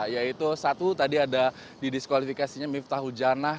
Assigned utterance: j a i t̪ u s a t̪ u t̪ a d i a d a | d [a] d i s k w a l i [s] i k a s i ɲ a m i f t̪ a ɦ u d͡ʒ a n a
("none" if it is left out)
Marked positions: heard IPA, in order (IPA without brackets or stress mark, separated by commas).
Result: i, f